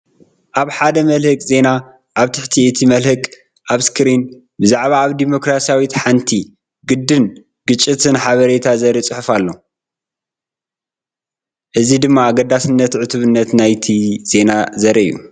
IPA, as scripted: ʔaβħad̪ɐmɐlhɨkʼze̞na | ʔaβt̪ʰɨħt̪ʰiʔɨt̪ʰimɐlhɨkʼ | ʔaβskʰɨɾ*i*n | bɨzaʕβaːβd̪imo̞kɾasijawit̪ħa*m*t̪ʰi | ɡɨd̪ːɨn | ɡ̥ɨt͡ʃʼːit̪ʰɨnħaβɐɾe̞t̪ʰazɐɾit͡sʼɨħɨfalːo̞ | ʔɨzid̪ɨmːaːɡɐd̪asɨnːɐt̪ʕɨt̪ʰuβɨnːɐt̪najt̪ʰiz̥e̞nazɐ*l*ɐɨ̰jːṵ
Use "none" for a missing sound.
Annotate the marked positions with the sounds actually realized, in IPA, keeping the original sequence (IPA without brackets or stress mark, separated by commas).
i, n, ɾ